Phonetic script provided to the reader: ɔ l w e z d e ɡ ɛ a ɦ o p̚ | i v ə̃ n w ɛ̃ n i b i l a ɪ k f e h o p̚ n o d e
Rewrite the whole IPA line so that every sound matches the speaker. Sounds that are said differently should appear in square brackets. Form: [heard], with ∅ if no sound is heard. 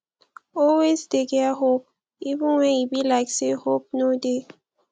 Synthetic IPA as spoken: ɔ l w e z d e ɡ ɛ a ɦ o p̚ | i v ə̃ n w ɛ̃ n i b i l a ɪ k [s] e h o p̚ n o d e

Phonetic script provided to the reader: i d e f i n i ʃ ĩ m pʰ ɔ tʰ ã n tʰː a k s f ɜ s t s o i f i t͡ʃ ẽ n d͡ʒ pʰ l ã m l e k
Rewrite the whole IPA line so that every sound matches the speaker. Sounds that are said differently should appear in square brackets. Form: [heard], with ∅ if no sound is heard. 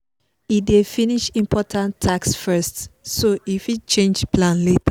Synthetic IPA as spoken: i d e f i n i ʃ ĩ m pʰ ɔ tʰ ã n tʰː a k s f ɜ s t s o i f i t͡ʃ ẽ n d͡ʒ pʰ l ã [n] l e [t]

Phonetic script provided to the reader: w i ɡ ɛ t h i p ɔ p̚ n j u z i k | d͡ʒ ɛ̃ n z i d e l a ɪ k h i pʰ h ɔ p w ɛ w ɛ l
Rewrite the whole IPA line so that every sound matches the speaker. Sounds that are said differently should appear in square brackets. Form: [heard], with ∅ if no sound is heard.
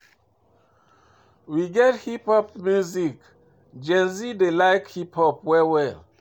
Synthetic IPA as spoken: w i ɡ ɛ t h i p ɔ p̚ [m] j u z i k | d͡ʒ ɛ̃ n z i d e l a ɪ k h i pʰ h ɔ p w ɛ w ɛ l

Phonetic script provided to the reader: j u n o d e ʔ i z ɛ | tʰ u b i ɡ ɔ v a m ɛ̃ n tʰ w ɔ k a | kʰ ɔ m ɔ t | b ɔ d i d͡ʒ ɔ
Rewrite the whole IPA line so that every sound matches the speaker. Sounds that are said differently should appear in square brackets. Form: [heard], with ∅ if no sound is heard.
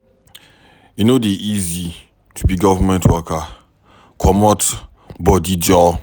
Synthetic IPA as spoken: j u n o d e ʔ i z [i] | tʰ u b i ɡ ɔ v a m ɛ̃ n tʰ w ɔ k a | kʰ ɔ m ɔ t | b ɔ d i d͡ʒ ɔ

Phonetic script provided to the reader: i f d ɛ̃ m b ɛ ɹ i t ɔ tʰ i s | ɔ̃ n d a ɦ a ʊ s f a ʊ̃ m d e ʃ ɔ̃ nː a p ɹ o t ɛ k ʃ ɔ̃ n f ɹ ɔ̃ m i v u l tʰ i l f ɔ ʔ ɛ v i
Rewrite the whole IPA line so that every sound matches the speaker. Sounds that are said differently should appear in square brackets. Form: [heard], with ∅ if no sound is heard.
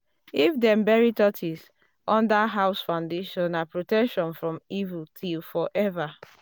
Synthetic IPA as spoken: i f d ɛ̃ m b ɛ ɹ i t ɔ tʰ i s | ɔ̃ n d a ɦ a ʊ s f a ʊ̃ [n] d e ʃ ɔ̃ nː a p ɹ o t ɛ k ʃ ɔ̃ n f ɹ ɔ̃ m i v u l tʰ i l f ɔ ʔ ɛ v [a]

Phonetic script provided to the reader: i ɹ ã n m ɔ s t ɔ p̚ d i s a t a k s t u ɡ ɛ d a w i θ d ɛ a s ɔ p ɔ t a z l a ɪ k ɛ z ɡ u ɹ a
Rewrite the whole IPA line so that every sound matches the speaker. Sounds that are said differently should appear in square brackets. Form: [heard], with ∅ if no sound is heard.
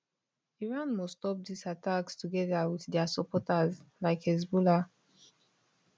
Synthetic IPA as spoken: i ɹ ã n m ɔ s t ɔ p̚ d i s a t a k s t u ɡ ɛ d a w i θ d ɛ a s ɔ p ɔ t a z l a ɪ k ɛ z [b] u [l] a

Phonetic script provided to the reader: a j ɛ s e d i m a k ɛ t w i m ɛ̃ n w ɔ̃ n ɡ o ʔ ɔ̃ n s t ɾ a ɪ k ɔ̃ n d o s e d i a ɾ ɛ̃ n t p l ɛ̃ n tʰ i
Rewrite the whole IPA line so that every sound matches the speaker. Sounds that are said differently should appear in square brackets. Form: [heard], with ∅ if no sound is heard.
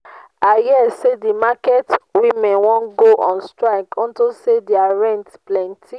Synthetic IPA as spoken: a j ɛ s e d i m a k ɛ t w i m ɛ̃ n w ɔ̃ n ɡ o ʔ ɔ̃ n s t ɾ a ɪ k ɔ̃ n [t] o s e d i a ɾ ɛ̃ n t p l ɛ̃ n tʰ i

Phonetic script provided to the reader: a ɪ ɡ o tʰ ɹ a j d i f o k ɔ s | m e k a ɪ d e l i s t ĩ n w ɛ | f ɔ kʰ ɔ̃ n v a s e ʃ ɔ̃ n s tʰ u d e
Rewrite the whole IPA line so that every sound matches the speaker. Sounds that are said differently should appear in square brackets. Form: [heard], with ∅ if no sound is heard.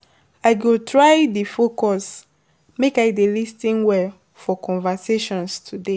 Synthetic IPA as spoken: a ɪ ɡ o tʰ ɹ a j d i f o k ɔ s | m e k a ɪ d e l i s t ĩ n w ɛ | f ɔ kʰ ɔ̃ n v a s e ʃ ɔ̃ n s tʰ u d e

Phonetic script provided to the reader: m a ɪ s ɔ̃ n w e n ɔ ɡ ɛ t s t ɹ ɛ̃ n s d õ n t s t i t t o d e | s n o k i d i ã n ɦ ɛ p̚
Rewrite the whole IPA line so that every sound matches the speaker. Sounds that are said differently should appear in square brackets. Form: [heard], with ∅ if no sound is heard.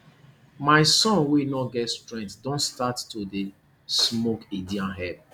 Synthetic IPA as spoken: m a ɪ s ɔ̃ n w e n ɔ ɡ ɛ t s t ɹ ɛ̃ n [t] d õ n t s t [a] t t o d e | s [m] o k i d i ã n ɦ ɛ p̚

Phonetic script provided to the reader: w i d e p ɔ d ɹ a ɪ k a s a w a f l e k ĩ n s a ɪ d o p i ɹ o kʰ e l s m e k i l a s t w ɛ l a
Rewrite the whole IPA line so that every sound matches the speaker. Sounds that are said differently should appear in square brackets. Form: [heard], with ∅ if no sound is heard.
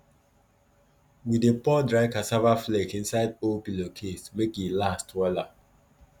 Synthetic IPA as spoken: w i d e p ɔ d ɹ a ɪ k a s a [v] a f l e k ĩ n s a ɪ d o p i [l] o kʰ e [∅] s m e k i l a s t w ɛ l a

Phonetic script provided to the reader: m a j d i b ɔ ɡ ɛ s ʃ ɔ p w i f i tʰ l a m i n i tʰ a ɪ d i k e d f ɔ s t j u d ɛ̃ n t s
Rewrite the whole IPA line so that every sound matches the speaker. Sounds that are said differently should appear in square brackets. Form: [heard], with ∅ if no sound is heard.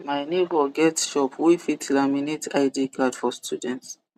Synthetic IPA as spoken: m a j [n] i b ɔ ɡ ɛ [t] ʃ ɔ p w i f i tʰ l a m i n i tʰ a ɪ d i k [a] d f ɔ s t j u d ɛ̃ n t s

